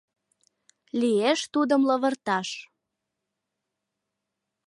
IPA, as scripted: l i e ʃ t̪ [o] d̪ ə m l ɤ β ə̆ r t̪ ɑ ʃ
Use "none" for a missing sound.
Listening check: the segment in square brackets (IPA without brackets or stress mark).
u